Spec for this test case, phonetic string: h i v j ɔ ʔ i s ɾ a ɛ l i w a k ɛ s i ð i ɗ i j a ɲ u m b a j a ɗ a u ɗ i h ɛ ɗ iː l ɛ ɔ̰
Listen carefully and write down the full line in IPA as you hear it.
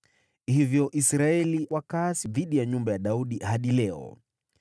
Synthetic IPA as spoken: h i v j ɔ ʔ i s ɾ a ɛ l i w a k a s i ð i ɗ i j a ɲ u m b a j a ɗ a u ɗ i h a ɗ i l ɛ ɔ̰

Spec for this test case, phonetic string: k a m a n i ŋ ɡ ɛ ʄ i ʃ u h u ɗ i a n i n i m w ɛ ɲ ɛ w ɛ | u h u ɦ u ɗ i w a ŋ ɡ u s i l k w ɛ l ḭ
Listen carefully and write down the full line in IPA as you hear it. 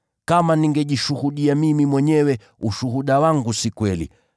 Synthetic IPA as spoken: k a m a n i ŋ ɡ ɛ ʄ i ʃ u h u ɗ i a m i m i m w ɛ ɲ ɛ w ɛ | u ʃ u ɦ u ɗ a w a ŋ ɡ u s i k w ɛ l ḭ

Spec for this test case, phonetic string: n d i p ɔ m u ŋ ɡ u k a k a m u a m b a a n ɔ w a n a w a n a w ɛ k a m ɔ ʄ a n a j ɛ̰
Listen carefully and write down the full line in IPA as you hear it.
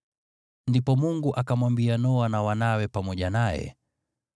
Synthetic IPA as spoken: n d i p ɔ m u ŋ ɡ u ʔ a k a m w a m b i a n ɔ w a n a w a n a w ɛ p a m ɔ ʄ a n a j ɛ̰

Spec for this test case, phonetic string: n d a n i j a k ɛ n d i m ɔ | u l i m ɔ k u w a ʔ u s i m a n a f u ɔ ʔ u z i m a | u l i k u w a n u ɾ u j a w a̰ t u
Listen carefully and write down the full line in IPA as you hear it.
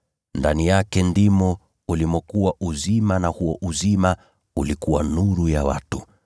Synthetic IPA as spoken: n d a n i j a k ɛ n d i m ɔ | u l i m ɔ k u w a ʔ u z i m a n a h u ɔ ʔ u z i m a | u l i k u w a n u ɾ u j a w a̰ t u

